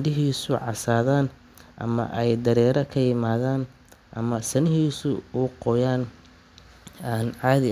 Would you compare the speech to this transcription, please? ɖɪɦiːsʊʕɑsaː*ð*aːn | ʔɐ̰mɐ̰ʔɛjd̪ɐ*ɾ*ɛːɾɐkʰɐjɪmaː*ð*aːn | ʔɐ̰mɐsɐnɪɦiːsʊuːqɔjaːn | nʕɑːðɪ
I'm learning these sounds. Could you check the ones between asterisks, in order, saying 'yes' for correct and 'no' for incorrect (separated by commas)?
yes, yes, yes